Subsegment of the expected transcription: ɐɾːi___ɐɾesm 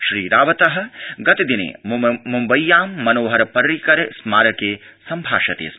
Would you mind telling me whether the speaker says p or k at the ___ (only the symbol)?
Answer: k